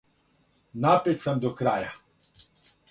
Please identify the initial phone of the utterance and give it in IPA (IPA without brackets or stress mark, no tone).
n